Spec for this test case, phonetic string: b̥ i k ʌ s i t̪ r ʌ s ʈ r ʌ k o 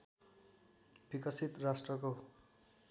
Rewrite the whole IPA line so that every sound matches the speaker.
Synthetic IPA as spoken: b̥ i k ʌ s i t̪ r a s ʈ r ʌ k o